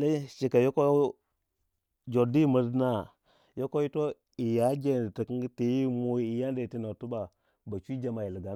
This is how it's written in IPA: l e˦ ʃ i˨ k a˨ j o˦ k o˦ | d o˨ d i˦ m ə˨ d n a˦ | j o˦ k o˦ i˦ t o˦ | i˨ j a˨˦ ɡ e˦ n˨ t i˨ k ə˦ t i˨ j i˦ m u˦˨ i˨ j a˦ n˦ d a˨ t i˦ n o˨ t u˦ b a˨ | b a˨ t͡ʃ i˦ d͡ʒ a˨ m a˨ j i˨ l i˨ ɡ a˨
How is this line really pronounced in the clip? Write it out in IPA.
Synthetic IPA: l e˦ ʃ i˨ k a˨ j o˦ k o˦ | d͡ʒ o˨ d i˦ m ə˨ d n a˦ | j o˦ k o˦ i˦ t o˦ | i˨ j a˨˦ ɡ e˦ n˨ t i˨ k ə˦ t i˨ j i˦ m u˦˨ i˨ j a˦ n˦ d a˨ t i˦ n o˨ t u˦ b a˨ | b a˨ t͡ʃ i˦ d͡ʒ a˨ m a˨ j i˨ l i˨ ɡ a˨